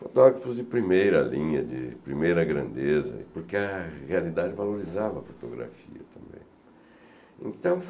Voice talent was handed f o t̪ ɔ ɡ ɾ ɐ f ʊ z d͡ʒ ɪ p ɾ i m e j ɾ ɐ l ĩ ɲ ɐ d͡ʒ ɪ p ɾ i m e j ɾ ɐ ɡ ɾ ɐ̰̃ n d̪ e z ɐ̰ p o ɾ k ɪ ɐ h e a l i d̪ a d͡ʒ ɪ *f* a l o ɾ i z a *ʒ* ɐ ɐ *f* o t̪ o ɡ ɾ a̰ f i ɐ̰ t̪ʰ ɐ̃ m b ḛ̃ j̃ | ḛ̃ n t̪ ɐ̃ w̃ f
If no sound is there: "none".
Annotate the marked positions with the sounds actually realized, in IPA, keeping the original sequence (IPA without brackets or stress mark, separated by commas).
v, v, f